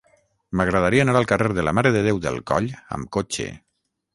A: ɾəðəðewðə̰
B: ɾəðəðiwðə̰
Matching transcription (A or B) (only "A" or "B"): A